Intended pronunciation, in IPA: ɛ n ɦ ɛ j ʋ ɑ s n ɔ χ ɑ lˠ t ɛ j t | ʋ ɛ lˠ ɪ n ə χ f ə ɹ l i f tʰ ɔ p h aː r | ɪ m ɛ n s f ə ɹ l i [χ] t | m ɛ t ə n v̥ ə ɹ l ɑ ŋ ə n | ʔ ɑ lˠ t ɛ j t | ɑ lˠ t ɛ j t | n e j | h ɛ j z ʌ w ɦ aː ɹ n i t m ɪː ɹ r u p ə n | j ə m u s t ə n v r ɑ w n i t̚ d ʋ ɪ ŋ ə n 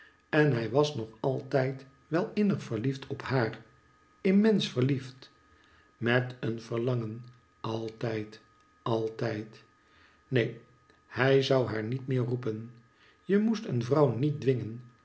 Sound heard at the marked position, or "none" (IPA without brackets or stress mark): f